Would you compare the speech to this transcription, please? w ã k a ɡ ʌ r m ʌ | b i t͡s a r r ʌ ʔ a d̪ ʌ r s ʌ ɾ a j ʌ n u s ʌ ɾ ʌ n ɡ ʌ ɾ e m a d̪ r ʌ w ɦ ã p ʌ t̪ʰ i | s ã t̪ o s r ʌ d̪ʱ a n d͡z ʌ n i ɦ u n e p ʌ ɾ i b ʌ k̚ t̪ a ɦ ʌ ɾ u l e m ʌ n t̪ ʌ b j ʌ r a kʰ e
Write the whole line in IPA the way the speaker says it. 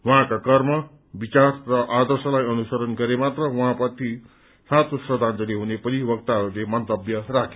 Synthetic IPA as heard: w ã k a k ʌ r m ʌ | b i t͡s a r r ʌ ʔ a d̪ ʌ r s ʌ l a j ʌ n u s ʌ ɾ ʌ n ɡ ʌ ɾ e m a t̪ r ʌ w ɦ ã p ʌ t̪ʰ i | s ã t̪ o s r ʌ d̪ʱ a n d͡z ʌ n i ɦ u n e p ʌ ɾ i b ʌ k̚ t̪ a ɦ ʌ ɾ u l e m ʌ n t̪ ʌ b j ʌ r a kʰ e